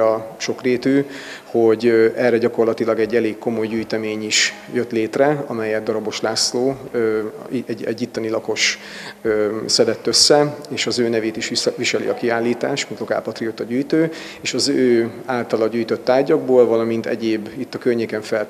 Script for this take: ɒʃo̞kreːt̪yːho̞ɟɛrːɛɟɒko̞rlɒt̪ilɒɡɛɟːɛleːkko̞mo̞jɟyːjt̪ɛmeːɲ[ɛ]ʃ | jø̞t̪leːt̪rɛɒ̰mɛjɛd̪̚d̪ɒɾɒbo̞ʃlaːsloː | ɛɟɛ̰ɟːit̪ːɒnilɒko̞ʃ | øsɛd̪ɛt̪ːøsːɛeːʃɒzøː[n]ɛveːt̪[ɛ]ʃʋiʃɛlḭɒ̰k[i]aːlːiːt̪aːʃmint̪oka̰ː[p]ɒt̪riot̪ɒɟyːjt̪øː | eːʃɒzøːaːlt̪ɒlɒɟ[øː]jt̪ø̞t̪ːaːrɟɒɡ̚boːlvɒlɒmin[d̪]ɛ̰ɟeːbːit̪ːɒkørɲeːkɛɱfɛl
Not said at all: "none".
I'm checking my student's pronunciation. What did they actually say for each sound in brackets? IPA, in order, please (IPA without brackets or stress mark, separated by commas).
i, n, i, i, p, yː, t̪